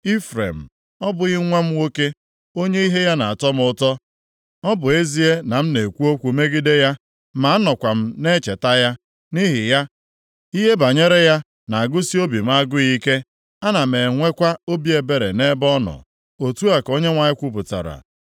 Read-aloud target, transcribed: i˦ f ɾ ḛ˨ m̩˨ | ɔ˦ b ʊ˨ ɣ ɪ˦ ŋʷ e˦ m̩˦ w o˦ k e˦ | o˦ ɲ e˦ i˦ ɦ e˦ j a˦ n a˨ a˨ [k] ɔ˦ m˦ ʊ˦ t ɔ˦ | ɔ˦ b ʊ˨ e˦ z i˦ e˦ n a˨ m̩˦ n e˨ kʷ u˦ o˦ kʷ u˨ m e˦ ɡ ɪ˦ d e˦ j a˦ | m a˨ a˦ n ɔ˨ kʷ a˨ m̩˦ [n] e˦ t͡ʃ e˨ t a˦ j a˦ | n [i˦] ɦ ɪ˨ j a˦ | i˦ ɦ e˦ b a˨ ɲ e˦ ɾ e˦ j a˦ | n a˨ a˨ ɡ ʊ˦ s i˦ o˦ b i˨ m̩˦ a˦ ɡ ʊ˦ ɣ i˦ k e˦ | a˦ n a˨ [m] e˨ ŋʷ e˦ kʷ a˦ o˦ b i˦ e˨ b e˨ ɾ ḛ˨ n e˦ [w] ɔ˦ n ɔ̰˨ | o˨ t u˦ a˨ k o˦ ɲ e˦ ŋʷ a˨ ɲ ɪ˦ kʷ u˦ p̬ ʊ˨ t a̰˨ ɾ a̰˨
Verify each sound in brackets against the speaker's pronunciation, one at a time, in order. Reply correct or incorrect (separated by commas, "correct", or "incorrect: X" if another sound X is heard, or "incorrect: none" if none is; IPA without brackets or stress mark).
incorrect: t, correct, correct, correct, incorrect: b